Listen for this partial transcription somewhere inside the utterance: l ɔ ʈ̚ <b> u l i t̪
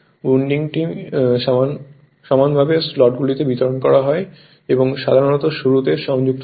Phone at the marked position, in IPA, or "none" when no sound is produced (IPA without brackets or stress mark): ɡ